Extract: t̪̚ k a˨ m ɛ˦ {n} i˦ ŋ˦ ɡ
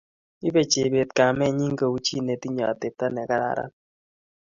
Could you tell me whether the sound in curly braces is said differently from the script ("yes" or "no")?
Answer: yes